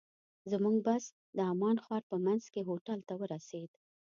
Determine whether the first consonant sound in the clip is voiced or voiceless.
voiced